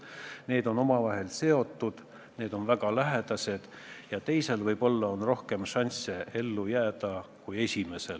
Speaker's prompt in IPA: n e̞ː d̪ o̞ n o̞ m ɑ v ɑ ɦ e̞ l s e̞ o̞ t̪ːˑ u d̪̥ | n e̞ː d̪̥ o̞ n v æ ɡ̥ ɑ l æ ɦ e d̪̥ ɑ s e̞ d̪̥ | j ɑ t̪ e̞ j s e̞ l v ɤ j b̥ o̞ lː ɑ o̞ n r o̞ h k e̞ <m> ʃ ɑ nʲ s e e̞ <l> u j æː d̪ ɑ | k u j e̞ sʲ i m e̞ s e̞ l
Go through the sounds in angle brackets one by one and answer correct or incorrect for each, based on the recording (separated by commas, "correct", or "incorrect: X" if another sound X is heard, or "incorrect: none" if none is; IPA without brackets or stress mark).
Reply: correct, incorrect: lː